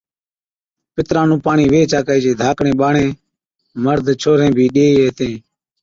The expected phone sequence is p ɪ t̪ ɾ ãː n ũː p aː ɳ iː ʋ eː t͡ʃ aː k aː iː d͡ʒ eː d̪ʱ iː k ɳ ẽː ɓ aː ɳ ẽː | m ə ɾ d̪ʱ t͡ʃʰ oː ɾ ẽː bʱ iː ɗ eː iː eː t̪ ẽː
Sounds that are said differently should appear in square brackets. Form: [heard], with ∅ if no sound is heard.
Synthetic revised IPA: p ɪ t̪ ɾ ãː n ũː p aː ɳ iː ʋ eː t͡ʃ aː k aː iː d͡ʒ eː d̪ʱ [aː] k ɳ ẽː ɓ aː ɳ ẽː | m ə ɾ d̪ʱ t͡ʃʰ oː ɾ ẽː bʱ iː ɗ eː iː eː t̪ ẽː